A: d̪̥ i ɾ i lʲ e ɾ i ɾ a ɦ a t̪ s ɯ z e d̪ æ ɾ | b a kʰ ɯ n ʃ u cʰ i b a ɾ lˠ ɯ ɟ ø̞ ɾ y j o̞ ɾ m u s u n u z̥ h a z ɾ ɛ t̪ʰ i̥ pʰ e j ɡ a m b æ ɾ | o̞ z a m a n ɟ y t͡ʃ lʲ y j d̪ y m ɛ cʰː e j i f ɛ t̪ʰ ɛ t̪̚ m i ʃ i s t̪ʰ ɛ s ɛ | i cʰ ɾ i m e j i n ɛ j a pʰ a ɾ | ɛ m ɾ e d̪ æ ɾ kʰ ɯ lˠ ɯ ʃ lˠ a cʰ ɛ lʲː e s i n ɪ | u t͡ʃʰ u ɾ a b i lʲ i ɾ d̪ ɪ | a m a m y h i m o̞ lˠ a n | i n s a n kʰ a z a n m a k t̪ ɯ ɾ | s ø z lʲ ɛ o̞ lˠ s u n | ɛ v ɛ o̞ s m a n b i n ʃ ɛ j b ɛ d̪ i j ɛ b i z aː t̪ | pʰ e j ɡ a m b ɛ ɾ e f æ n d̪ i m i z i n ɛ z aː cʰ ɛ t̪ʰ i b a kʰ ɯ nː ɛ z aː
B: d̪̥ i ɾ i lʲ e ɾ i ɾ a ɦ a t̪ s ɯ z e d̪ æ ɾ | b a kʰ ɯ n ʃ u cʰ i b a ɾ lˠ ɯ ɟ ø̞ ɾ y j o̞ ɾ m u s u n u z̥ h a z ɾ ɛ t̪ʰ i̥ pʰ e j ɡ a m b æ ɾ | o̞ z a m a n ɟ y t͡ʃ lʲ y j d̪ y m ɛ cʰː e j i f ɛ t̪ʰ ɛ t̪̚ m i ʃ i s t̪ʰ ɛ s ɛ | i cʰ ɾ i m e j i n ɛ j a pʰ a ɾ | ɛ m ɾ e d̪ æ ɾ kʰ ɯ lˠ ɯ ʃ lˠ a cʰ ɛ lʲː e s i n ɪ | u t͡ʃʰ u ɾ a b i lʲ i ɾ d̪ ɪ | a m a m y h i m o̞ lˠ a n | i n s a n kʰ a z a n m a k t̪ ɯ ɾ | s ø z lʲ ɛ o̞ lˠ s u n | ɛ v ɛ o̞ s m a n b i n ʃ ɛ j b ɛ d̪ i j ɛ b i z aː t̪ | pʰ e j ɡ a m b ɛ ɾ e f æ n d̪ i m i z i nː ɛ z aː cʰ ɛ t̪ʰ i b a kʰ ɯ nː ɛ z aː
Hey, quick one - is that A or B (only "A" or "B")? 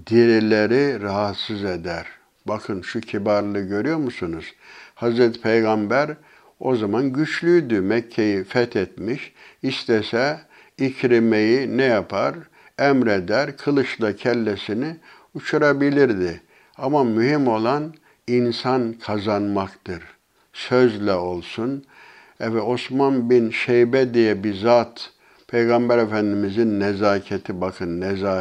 B